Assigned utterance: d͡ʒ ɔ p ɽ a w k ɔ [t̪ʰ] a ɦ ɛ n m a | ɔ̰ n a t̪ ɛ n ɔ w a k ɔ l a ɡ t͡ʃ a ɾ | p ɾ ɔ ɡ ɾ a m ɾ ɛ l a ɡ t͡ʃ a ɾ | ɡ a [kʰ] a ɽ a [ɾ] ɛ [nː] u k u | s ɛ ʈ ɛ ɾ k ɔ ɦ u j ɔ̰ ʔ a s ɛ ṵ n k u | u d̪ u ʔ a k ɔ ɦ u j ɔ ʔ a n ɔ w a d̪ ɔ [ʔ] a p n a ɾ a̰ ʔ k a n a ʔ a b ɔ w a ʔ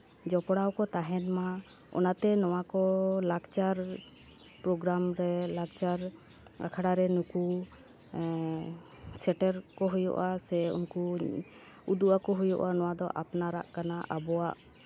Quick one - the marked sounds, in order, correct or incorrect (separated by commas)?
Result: incorrect, correct, correct, incorrect, correct